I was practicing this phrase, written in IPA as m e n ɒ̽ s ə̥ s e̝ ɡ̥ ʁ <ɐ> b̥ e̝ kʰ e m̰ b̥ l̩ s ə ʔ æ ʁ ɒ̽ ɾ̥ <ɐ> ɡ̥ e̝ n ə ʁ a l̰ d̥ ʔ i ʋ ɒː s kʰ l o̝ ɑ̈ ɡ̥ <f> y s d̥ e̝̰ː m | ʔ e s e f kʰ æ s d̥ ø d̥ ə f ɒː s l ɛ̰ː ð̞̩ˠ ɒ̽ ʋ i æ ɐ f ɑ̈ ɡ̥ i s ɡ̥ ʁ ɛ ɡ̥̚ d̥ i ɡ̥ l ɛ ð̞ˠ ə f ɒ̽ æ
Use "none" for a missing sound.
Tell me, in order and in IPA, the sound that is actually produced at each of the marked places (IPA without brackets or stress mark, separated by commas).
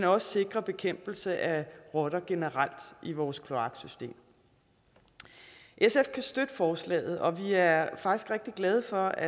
ɐ, ɐ, s